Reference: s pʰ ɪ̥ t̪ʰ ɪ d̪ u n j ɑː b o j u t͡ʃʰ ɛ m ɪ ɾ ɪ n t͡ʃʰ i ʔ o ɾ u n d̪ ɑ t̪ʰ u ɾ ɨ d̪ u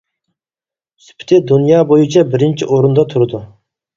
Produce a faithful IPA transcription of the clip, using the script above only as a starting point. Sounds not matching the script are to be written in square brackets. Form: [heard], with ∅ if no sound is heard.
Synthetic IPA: s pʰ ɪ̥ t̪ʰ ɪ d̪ u n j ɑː b o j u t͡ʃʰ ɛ [b] ɪ ɾ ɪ n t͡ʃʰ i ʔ o ɾ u n d̪ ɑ t̪ʰ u ɾ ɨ d̪ u